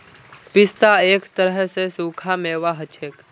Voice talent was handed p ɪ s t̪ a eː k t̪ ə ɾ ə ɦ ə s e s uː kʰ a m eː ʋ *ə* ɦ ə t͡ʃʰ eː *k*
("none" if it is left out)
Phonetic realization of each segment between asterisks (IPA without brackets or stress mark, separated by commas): a, k